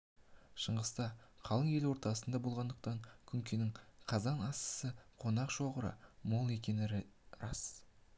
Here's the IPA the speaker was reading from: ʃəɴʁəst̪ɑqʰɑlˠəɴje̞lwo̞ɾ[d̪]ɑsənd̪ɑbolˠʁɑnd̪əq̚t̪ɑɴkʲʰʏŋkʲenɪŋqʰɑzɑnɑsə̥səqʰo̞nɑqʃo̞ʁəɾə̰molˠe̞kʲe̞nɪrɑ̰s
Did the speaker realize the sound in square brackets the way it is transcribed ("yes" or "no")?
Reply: no